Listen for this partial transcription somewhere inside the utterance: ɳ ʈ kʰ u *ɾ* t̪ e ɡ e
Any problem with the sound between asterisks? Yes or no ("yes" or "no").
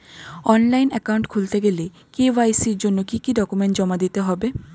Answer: yes